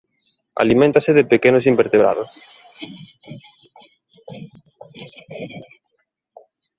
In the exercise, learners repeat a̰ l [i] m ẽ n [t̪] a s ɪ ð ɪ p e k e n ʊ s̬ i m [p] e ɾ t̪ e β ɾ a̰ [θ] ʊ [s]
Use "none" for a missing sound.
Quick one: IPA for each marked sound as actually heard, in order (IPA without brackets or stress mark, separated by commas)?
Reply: i, t̪, b, ð, s